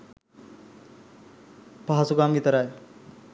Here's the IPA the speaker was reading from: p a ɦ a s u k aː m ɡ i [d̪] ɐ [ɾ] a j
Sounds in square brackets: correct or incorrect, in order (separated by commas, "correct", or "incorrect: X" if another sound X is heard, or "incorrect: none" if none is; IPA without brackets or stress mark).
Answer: incorrect: t̪, correct